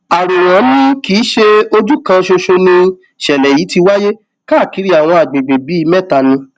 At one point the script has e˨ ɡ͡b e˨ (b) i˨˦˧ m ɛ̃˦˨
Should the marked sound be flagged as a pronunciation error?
no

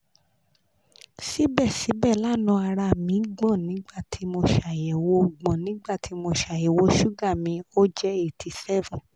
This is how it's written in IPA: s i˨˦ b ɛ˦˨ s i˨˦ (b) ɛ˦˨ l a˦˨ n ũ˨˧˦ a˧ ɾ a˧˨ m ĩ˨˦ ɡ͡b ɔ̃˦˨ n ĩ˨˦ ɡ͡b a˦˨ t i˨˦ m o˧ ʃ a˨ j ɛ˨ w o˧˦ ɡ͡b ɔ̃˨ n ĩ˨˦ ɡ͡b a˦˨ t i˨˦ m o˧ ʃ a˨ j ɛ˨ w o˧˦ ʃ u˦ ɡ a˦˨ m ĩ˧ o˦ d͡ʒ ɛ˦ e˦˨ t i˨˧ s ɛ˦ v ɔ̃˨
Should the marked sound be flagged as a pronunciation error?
no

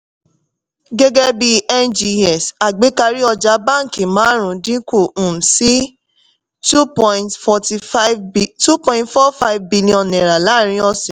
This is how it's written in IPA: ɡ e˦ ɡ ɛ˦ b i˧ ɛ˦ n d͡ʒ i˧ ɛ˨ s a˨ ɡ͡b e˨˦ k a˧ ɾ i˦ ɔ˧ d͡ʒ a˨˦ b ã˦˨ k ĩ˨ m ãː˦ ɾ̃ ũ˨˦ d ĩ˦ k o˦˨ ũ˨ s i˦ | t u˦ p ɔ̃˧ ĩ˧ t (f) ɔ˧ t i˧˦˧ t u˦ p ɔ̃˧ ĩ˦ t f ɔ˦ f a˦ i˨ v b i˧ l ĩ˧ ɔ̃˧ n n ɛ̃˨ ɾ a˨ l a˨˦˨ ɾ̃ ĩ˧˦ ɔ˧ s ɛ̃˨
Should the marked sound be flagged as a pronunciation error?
no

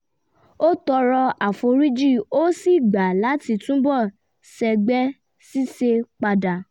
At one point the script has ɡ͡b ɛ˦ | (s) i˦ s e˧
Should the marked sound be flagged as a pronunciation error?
no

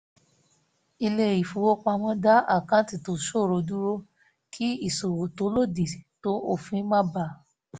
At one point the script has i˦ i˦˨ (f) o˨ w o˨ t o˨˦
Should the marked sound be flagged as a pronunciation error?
yes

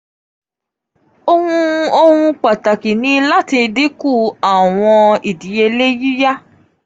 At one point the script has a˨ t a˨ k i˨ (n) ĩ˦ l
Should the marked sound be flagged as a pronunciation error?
no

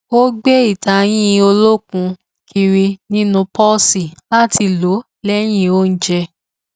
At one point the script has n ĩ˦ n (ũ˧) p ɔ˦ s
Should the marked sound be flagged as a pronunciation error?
no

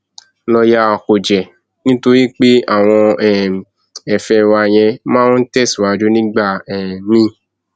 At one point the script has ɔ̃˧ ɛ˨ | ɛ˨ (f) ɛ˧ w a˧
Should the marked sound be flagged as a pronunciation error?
no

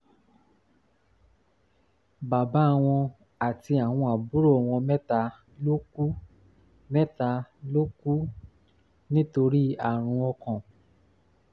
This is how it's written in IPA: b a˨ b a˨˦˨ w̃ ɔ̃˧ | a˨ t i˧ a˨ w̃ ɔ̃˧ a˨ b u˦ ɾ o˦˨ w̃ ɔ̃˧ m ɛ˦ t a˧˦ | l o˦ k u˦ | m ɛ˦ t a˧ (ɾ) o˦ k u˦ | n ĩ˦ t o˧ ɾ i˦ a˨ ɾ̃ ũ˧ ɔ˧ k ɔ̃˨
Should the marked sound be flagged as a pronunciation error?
yes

